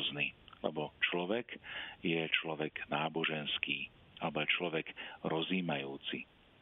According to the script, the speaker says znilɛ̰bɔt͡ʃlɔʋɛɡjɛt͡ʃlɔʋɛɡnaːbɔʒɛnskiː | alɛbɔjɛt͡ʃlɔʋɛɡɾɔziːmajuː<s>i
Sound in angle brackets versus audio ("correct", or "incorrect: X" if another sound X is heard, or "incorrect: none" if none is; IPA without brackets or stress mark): incorrect: t͡s